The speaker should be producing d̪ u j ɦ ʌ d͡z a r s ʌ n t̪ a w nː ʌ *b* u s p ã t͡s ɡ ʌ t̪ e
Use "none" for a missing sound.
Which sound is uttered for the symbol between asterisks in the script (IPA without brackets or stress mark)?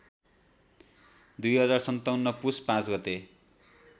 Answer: p